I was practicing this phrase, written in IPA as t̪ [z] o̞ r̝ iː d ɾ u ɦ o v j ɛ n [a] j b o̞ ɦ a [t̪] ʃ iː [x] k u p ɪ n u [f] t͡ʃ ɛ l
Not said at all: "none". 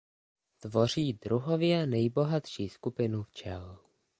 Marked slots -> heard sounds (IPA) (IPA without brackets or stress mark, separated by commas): v, ɛ, t̪, s, f